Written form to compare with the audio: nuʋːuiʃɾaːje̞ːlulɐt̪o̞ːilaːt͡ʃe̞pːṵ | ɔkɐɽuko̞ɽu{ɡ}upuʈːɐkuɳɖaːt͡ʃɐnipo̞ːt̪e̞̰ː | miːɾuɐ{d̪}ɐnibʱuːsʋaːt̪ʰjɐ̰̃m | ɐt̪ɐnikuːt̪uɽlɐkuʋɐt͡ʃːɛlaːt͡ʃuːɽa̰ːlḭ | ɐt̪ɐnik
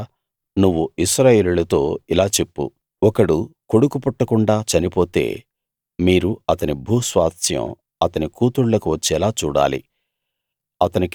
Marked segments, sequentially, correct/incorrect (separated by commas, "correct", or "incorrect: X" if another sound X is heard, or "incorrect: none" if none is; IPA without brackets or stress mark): incorrect: k, incorrect: t̪